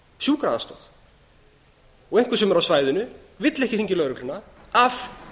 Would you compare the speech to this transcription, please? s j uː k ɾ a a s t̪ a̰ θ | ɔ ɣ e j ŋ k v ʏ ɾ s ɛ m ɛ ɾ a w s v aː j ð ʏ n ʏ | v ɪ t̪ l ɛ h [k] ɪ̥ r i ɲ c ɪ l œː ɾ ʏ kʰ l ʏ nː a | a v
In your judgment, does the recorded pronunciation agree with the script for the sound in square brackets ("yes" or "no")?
no